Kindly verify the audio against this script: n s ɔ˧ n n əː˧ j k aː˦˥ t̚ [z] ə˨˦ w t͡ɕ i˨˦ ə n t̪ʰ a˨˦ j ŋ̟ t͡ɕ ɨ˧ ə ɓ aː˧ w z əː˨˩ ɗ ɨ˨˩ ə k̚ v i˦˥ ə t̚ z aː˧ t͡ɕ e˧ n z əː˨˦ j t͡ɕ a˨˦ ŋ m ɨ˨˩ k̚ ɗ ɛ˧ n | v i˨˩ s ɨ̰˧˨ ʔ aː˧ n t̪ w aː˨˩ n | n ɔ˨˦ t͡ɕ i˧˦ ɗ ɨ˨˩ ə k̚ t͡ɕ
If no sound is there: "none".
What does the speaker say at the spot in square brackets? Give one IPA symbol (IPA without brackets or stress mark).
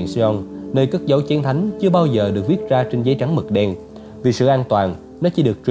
z